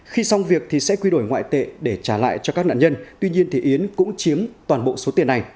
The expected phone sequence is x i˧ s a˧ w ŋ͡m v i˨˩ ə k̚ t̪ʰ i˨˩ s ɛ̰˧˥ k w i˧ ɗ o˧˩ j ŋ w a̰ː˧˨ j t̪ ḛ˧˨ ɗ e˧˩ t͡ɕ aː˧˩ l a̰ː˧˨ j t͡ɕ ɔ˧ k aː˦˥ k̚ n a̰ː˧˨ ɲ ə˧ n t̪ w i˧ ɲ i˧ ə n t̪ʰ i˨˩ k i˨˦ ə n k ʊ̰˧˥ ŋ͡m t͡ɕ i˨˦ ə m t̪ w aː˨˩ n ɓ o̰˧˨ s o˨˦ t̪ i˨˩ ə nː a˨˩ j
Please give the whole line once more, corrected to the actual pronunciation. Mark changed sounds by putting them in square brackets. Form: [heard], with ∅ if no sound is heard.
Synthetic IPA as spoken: x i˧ s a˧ w ŋ͡m v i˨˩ ə k̚ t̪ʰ i˨˩ s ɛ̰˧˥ k w i˧ ɗ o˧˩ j ŋ w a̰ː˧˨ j t̪ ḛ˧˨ ɗ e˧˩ t͡ɕ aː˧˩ l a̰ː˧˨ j t͡ɕ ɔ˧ k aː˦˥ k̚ n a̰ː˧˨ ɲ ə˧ n t̪ w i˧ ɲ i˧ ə n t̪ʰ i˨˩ [ʔ] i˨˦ ə n k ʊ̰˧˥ ŋ͡m t͡ɕ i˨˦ ə m t̪ w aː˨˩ n ɓ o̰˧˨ s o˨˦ t̪ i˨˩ ə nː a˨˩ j